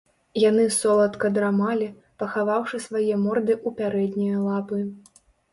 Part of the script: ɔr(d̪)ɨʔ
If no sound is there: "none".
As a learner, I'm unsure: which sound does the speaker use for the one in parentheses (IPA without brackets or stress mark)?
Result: d̪